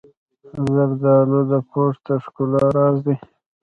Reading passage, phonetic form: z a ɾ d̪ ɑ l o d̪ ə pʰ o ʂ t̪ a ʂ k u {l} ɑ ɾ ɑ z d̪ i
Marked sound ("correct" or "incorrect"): correct